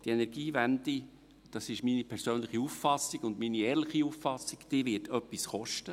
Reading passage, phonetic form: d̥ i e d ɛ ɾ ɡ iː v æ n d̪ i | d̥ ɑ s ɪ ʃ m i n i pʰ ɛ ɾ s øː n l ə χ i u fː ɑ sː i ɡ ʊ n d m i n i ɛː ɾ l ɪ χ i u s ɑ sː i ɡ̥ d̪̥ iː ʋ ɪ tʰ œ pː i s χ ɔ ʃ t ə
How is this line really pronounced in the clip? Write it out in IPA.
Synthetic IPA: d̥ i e n ɛ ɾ ɡ iː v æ n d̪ i | d̥ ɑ s ɪ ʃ m i n i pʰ ɛ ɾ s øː n l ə χ i u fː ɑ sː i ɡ ʊ n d m i n i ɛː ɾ l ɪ χ i u f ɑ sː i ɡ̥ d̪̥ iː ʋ ɪ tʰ œ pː i s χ ɔ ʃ t ə